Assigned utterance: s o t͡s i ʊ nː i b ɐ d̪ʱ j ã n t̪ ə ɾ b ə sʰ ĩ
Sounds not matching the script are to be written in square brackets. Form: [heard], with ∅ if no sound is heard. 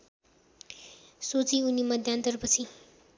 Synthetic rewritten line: s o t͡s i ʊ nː i [m] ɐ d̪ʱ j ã n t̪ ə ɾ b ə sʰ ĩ